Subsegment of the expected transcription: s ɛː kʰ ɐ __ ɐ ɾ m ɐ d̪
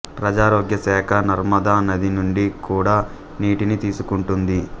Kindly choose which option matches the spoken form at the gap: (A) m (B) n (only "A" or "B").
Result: B